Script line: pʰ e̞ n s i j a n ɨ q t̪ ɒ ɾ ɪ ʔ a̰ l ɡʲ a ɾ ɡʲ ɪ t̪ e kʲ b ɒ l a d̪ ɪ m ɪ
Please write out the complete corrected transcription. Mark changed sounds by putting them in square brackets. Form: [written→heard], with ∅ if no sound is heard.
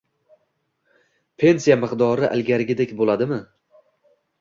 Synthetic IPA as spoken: pʰ e̞ n s i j a [n→m] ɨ q [t̪→d̪] ɒ ɾ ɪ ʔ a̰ l ɡʲ a ɾ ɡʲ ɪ [t̪→d̪] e kʲ b [ɒ→o] l a d̪ ɪ m ɪ

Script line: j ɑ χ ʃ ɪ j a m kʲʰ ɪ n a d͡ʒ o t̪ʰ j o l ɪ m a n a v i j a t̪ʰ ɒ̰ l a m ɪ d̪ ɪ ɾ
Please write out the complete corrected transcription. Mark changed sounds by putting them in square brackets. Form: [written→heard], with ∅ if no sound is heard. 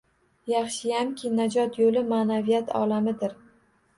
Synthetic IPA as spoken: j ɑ χ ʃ ɪ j a m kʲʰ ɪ n a d͡ʒ [o→ɒ] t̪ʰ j o l ɪ m a n a v i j a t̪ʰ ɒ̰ l a m ɪ d̪ ɪ ɾ

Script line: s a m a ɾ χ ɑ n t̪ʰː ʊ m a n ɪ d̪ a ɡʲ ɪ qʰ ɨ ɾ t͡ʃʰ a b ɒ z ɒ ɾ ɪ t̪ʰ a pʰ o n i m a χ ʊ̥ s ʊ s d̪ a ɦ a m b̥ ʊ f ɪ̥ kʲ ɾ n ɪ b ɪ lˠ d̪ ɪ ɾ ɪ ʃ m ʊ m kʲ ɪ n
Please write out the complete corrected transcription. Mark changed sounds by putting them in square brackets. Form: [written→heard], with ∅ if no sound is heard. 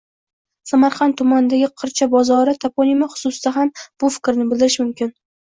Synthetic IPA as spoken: s a m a ɾ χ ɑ n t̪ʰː ʊ m a n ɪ d̪ a ɡʲ ɪ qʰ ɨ ɾ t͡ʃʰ a b ɒ z ɒ ɾ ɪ t̪ʰ a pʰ o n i m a χ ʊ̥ s ʊ s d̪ a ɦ a m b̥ ʊ f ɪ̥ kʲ ɾ n ɪ b ɪ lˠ d̪ ɪ ɾ ɪ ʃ m ʊ m kʲ ɪ n

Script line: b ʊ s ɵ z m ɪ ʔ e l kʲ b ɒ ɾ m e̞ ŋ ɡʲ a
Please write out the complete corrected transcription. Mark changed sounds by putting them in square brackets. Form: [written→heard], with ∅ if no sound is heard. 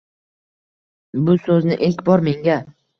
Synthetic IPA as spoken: b ʊ s ɵ z [m→n] ɪ ʔ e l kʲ b ɒ ɾ m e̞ ŋ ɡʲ a

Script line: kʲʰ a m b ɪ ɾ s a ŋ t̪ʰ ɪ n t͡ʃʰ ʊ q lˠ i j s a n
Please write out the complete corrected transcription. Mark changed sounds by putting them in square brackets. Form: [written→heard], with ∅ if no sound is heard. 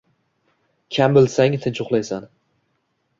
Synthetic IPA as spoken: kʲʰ a m b ɪ [ɾ→l] s a ŋ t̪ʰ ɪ n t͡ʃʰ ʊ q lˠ [i→a] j s a n

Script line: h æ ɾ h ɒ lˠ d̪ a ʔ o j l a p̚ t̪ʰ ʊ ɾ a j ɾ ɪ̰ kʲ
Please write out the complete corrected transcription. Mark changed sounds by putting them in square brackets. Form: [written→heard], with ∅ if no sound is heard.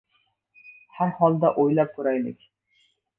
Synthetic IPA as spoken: h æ ɾ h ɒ lˠ d̪ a ʔ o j l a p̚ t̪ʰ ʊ ɾ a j [ɾ→l] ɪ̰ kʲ

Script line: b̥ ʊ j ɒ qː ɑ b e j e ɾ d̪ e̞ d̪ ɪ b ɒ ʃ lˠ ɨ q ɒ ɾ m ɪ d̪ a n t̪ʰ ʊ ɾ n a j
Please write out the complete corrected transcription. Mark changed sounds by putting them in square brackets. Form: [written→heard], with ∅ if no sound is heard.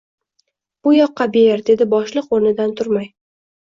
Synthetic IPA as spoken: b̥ ʊ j ɒ qː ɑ b e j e ɾ d̪ e̞ d̪ ɪ b ɒ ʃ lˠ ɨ q [ɒ→o] ɾ [m→n] ɪ d̪ a n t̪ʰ ʊ ɾ [n→m] a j

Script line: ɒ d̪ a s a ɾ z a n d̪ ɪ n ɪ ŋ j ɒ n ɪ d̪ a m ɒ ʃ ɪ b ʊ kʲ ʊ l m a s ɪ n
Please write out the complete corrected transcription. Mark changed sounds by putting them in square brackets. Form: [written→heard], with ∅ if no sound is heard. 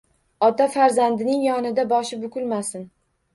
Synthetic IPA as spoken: ɒ [d̪→t̪] a [s→f] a ɾ z a n d̪ ɪ n ɪ ŋ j ɒ n ɪ d̪ a [m→b] ɒ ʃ ɪ b ʊ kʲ ʊ l m a s ɪ n

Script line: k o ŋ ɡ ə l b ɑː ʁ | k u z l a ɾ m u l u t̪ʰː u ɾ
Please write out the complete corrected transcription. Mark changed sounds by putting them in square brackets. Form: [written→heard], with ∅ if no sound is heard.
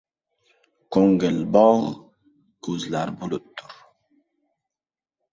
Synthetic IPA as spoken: k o ŋ ɡ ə l b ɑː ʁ | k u z l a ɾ [m→b] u l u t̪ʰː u ɾ

